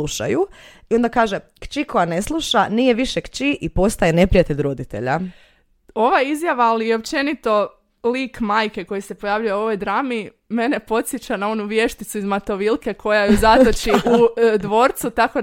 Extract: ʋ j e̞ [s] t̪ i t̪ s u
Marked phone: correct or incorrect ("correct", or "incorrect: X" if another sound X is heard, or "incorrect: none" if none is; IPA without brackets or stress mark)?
incorrect: ʃ